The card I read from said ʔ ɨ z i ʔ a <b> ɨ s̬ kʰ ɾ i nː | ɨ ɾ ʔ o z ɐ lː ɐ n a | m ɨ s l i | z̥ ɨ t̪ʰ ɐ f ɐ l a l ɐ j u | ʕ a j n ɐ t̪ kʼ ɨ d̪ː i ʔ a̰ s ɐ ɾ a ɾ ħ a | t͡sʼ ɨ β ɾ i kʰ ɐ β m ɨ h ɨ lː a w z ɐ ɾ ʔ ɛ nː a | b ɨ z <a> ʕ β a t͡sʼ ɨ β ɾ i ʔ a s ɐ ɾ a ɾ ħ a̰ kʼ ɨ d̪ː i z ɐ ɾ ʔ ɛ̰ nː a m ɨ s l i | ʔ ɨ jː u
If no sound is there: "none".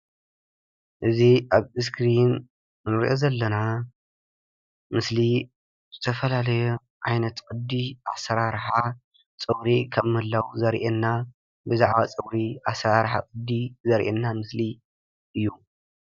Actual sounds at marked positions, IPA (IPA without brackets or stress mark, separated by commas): β, a